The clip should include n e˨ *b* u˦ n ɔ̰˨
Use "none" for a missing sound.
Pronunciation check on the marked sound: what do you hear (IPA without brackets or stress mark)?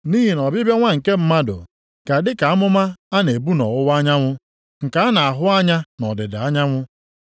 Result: b